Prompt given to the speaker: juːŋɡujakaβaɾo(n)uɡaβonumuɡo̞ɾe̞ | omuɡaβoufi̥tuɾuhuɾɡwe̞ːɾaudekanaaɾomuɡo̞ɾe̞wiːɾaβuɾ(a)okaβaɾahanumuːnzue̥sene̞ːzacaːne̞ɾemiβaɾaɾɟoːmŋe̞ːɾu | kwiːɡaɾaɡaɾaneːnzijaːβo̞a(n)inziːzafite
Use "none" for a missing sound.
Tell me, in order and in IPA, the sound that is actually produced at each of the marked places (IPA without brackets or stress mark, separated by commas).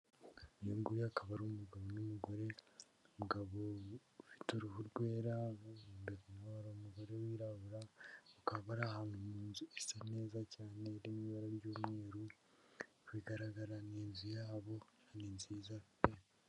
m, a, n